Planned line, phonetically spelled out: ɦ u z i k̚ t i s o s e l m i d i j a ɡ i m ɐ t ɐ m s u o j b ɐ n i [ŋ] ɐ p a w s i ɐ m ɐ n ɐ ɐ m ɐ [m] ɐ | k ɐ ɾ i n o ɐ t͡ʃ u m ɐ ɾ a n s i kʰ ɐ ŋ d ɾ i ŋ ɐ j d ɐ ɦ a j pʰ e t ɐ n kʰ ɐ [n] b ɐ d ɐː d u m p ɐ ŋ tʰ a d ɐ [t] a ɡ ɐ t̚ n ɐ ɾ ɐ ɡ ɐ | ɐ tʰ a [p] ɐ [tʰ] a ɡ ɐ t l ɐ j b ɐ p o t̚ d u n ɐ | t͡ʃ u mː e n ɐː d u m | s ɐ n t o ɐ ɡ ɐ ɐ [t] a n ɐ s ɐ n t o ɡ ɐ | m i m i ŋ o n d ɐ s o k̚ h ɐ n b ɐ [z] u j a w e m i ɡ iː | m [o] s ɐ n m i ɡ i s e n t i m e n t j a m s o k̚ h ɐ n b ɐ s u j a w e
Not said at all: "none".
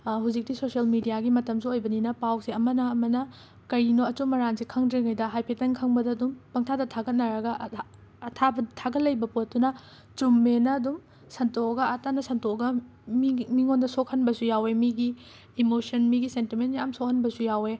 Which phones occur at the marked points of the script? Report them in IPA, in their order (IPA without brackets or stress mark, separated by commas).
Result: n, n, ŋ, tʰ, b, tʰ, t, s, o